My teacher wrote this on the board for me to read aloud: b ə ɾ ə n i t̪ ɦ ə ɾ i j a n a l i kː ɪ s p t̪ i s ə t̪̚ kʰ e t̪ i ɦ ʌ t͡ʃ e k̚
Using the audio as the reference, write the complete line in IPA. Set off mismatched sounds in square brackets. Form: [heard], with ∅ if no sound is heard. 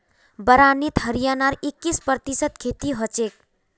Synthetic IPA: b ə ɾ [a] n i t̪ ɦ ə ɾ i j a n a [ɾ] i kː [i] s p t̪ i s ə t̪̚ kʰ e t̪ i ɦ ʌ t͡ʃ e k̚